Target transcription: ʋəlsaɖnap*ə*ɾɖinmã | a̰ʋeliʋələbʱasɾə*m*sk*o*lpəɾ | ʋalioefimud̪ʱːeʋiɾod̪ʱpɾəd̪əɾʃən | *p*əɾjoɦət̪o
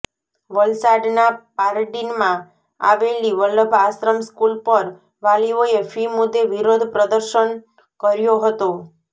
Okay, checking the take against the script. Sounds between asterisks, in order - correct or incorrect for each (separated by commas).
incorrect, correct, incorrect, incorrect